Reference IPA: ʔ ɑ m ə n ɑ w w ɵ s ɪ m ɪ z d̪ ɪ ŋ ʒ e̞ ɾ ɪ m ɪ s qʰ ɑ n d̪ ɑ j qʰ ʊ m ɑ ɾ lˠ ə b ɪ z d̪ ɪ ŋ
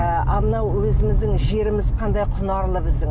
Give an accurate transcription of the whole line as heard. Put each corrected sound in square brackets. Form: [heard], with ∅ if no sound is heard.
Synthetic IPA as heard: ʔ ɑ m ə n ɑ w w ɵ [z] ɪ m ɪ z d̪ ɪ ŋ ʒ e̞ ɾ ɪ m ɪ [z] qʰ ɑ n d̪ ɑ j qʰ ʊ [n] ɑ ɾ lˠ ə b ɪ z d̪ ɪ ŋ